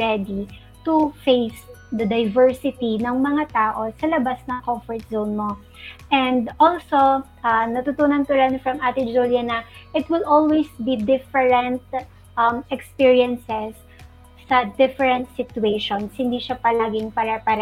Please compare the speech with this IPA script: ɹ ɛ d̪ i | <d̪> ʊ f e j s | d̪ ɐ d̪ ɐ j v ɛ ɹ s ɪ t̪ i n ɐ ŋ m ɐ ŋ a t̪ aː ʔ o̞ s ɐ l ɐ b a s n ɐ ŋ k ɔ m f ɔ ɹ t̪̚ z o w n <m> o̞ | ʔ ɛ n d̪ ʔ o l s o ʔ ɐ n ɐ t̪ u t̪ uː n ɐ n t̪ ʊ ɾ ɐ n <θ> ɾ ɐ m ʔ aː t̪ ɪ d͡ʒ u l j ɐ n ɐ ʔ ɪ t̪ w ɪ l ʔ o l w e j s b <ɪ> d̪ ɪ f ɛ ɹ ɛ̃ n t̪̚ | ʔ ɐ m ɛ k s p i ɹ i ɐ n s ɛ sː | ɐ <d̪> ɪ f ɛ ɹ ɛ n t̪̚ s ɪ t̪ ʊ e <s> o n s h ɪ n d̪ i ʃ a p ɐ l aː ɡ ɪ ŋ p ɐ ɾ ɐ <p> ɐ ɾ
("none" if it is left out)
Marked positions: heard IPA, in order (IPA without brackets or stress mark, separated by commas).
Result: t̪, m, f, i, d̪, ʃ, p